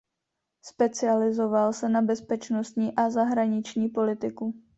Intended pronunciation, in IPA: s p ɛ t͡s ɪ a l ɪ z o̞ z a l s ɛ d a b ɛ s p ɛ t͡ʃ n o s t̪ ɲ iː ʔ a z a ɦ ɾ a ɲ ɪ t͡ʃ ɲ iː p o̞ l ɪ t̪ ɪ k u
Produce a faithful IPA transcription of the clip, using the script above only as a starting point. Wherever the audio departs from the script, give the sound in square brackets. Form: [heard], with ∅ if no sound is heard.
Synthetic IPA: s p ɛ t͡s ɪ a l ɪ z o̞ [v] a l s ɛ [n] a b ɛ s p ɛ t͡ʃ n o s t̪ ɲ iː ʔ a z a ɦ ɾ a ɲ ɪ t͡ʃ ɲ iː p o̞ l ɪ t̪ ɪ k u